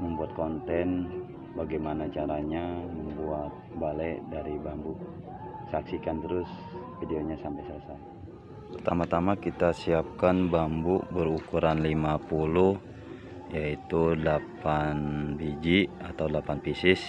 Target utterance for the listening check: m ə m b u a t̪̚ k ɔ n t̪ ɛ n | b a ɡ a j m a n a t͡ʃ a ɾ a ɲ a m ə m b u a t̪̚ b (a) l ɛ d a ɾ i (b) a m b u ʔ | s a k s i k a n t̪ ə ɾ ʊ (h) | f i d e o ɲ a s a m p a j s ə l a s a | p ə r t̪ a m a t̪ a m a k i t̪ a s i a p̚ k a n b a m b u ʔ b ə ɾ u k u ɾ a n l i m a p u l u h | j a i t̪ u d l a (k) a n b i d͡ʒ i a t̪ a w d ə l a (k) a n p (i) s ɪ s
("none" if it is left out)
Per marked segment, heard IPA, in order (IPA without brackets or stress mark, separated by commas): a, b, s, p, p, i